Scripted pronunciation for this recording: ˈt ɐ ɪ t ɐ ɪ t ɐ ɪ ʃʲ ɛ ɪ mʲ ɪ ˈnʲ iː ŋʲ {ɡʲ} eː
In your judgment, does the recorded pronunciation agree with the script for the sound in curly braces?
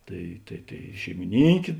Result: no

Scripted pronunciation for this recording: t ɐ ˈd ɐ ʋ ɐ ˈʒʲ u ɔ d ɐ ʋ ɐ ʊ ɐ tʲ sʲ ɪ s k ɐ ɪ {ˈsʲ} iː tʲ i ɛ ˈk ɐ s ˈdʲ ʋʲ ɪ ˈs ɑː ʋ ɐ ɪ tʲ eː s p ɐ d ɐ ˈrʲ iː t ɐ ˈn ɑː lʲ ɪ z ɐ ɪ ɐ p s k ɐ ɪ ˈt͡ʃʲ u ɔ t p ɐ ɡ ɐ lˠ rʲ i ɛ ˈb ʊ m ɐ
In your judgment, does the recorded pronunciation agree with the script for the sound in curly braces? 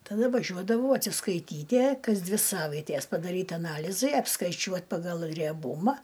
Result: no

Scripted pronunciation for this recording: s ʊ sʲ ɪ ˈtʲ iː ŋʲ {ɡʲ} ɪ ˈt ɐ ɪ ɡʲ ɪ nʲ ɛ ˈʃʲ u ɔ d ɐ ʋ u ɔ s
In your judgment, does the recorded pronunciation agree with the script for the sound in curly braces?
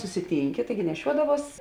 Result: no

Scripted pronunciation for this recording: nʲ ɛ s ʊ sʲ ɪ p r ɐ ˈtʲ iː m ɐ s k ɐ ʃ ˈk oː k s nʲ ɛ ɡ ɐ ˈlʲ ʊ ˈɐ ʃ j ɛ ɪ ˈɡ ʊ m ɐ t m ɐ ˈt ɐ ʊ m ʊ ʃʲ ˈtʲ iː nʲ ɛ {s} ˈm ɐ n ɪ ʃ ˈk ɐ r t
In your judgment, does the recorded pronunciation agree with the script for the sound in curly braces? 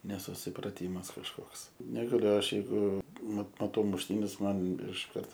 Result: yes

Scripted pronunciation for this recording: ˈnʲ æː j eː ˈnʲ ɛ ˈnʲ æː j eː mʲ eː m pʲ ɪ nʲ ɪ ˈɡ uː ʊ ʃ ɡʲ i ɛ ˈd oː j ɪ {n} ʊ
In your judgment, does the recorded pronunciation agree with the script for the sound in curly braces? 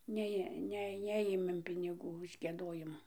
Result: no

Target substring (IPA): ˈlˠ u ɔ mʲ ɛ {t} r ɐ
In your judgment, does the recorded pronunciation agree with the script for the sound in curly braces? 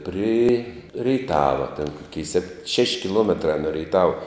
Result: yes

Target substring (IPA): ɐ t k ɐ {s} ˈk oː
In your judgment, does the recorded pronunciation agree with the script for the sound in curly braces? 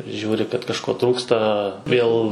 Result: no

